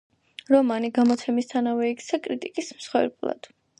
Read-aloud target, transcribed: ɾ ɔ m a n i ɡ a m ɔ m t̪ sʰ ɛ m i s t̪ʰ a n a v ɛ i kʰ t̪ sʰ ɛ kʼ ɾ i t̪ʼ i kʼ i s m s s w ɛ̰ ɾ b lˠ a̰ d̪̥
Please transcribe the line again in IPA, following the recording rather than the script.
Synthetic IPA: ɾ ɔ m a n i ɡ a m ɔ t̪ sʰ ɛ m i s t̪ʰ a n a v ɛ i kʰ t̪ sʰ a kʼ ɾ i t̪ʼ i kʼ i s m s χ w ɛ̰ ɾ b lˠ a̰ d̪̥

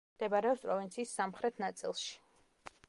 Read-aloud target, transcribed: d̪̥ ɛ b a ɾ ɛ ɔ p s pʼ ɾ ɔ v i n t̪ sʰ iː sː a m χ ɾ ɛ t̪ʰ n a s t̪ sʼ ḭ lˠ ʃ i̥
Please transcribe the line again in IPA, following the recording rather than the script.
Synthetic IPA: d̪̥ ɛ b a ɾ ɛ ɔ p s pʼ ɾ ɔ v i n t̪ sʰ iː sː a m χ ɾ ɛ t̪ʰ n a t̪ sʼ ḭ lˠ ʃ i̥

